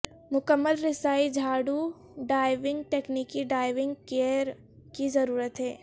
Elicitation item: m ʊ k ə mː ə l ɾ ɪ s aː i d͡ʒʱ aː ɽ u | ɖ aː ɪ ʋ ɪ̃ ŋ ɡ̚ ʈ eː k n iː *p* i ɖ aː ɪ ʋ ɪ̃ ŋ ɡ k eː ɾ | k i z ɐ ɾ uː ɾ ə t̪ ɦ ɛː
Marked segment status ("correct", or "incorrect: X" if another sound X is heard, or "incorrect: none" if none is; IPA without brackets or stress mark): incorrect: k